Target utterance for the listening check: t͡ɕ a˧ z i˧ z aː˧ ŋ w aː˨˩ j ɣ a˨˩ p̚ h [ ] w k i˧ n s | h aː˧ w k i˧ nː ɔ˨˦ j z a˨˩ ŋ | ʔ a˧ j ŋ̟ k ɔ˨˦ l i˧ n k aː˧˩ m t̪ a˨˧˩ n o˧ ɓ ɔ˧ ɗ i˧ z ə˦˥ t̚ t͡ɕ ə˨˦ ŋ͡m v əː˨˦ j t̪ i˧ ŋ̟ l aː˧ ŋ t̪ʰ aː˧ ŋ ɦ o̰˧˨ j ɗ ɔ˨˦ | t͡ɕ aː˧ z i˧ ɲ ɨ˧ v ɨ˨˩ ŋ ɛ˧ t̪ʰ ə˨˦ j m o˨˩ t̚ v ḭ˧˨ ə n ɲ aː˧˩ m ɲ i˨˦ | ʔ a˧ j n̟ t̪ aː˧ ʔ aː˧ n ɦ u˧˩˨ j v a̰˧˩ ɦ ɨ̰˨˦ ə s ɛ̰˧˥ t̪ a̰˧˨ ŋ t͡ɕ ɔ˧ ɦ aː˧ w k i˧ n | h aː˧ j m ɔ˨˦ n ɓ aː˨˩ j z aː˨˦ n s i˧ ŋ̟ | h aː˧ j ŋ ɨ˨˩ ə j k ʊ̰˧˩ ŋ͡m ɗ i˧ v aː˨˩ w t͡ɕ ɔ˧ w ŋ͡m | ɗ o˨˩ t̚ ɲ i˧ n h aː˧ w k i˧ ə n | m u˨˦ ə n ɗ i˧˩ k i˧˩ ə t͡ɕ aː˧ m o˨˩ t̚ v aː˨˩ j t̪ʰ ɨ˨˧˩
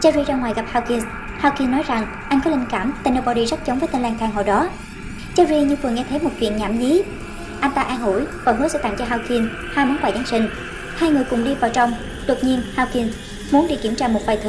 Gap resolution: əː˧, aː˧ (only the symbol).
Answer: aː˧